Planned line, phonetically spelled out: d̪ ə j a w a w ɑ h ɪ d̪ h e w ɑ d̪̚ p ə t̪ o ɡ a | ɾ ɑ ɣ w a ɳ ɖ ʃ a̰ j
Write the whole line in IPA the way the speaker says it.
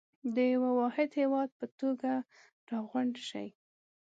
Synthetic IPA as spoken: d̪ ə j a w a w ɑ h ɪ d̪ h e w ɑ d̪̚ p ə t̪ o ɡ a | ɾ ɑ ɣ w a ɳ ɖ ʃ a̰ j